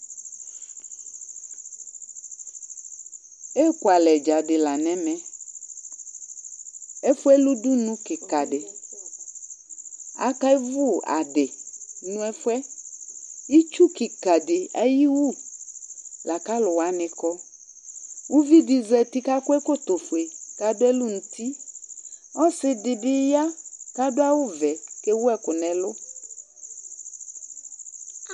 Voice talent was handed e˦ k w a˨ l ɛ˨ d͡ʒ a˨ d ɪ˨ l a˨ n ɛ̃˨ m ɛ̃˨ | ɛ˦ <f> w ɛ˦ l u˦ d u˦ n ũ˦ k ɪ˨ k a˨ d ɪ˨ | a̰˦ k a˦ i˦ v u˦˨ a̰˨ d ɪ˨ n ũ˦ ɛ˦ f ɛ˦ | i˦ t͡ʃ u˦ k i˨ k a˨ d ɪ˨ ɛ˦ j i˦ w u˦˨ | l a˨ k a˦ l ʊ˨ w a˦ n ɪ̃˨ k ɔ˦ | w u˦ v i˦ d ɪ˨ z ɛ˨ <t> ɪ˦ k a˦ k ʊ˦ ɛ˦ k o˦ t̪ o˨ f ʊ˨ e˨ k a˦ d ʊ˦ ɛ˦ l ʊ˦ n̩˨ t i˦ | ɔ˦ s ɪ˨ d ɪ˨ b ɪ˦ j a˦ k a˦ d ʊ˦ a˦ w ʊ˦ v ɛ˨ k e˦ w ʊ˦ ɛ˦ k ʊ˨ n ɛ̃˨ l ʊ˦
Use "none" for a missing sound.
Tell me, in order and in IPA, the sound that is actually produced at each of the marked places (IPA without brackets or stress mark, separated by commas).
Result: f, t